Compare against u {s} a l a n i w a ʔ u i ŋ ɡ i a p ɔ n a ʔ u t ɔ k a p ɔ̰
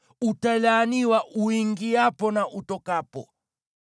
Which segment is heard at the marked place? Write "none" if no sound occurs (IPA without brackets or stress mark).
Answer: t